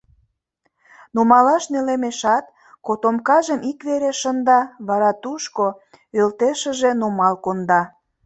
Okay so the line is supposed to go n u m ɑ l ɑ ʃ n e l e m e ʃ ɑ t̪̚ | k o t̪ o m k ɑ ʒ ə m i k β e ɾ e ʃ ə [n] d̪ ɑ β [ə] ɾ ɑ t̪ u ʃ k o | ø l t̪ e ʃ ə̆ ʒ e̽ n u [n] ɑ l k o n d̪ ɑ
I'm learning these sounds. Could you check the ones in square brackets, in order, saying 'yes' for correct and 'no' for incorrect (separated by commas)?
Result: yes, no, no